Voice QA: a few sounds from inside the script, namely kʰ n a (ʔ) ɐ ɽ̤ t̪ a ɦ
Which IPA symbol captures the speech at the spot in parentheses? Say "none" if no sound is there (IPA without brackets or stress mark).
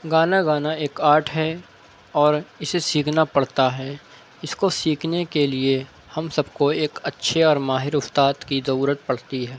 p